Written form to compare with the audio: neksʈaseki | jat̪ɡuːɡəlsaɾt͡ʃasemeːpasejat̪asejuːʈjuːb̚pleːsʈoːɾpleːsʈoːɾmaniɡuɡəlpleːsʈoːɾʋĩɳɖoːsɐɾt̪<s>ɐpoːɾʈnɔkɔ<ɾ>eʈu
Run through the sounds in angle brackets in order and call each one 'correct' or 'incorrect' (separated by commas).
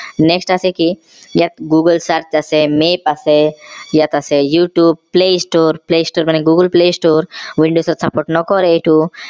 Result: correct, correct